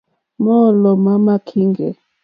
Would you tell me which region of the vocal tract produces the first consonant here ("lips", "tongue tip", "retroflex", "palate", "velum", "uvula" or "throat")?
lips